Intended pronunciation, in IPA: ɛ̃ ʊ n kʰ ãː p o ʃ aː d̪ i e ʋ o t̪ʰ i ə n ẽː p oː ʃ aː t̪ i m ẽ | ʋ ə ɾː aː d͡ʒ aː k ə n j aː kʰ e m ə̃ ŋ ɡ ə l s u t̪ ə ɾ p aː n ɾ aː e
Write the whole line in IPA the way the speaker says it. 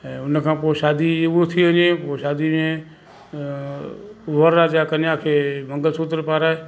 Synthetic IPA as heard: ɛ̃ ʊ n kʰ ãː p o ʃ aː d̪ i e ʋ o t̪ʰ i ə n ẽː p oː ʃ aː d̪ i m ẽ | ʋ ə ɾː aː d͡ʒ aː k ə n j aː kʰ e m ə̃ ŋ ɡ ə l s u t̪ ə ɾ p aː ɾ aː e